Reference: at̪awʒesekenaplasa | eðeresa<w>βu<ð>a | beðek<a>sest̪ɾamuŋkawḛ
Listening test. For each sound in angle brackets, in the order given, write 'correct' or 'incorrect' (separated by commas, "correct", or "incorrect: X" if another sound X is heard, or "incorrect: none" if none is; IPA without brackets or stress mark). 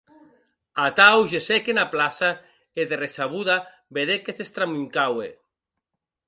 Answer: incorrect: none, correct, incorrect: e